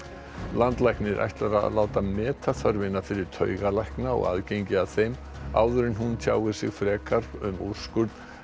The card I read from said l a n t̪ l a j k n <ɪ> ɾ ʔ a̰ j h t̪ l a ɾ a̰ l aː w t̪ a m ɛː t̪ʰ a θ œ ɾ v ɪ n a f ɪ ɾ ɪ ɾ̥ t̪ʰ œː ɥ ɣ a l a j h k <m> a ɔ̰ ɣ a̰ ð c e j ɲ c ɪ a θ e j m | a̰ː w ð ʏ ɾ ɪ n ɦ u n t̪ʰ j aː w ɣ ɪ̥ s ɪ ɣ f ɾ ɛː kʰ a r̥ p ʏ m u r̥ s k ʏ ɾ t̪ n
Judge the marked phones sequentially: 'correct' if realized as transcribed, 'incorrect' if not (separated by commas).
correct, incorrect